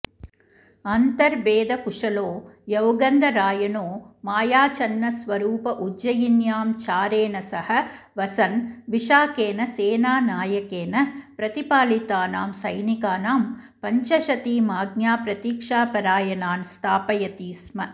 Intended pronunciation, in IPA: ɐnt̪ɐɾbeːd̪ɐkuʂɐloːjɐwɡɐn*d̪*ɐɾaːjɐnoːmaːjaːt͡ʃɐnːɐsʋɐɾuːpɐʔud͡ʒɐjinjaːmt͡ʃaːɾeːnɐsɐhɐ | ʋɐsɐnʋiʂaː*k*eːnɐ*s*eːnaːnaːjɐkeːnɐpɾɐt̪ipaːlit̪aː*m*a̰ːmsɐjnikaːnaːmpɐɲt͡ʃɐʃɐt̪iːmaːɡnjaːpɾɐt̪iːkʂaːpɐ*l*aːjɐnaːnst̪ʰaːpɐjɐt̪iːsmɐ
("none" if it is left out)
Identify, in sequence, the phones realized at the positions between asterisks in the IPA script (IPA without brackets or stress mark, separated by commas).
d̪, k, s, n, ɾ